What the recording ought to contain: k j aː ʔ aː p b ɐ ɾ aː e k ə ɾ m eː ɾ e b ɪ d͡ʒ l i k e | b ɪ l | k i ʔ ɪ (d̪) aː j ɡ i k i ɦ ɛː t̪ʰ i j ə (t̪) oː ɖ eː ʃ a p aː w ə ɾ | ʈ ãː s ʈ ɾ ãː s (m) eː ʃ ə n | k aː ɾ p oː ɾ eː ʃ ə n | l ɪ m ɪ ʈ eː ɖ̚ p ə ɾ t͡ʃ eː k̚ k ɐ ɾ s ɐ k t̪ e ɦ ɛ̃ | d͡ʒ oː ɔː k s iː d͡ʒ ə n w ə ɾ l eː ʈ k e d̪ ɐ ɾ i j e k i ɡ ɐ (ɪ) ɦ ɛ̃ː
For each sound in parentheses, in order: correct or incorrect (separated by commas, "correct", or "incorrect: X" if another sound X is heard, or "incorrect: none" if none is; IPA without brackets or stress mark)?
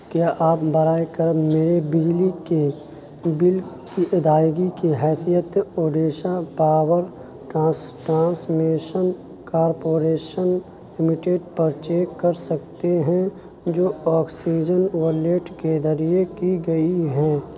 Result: correct, correct, correct, incorrect: i